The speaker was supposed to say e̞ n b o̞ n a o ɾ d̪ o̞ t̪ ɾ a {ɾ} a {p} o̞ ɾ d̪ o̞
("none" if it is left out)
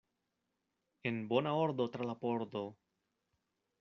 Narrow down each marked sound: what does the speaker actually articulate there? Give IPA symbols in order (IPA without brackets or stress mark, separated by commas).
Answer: l, p